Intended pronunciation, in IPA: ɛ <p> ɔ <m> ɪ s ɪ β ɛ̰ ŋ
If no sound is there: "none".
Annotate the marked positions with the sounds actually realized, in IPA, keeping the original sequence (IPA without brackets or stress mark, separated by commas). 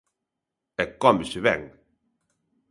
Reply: k, m